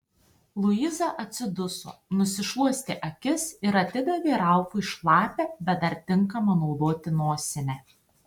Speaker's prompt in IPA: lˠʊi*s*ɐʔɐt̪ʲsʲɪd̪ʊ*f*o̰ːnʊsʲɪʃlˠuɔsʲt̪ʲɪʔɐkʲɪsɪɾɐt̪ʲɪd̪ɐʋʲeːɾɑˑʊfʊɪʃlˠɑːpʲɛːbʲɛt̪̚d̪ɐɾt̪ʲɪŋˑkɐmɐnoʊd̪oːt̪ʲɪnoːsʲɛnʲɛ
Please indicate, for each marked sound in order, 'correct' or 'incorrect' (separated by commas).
incorrect, incorrect